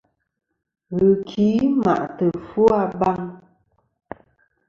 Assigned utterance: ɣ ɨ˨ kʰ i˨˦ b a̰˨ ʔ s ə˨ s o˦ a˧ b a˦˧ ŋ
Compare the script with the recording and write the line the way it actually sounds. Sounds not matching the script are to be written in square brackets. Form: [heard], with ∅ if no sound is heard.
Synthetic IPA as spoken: ɣ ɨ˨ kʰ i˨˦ [m] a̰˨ ʔ [t] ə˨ [f] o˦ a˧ b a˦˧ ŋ